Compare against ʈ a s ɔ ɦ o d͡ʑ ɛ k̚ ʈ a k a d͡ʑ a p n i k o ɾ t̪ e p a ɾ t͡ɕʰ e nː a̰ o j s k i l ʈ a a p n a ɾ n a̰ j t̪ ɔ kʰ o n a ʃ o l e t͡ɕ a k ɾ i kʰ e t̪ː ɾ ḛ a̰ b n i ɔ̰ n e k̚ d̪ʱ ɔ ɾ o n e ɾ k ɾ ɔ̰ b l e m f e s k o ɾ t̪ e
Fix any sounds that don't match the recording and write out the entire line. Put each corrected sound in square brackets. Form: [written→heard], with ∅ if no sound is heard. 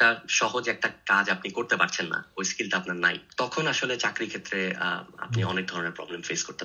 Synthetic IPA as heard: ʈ a [s→ʃ] ɔ ɦ o d͡ʑ ɛ k̚ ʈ a k a d͡ʑ a p n i k o ɾ t̪ e p a ɾ t͡ɕʰ e nː a̰ o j s k i l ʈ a a p n a ɾ n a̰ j t̪ ɔ kʰ o n a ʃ o l e t͡ɕ a k ɾ i kʰ e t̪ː ɾ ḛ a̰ [b→p] n i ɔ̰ n e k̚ d̪ʱ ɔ ɾ o n e ɾ [k→p] ɾ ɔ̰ b l e m f e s k o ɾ t̪ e